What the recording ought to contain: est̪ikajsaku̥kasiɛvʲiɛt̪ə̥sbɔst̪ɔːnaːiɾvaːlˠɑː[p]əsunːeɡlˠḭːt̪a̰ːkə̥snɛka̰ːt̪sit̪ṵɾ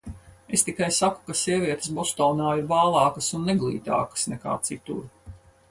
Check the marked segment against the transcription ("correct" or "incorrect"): incorrect